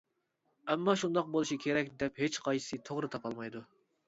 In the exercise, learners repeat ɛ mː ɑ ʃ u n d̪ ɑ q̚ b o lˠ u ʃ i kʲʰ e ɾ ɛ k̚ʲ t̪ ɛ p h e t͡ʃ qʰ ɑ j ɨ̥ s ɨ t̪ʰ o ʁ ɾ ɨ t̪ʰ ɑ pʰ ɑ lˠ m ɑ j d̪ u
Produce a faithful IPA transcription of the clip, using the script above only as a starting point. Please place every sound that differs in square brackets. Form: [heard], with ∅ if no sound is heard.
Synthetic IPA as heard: ɛ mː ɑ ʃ u n d̪ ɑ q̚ b o lˠ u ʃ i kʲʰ e ɾ ɛ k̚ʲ [d̪] ɛ p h e t͡ʃ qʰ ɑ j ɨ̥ s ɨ t̪ʰ o ʁ ɾ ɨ t̪ʰ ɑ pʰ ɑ lˠ m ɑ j d̪ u